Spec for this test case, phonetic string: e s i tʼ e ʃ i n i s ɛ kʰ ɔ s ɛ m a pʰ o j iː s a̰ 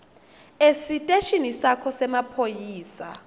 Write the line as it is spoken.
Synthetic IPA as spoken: e s i tʼ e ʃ i n i s a kʰ ɔ s ɛ m a pʰ o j iː s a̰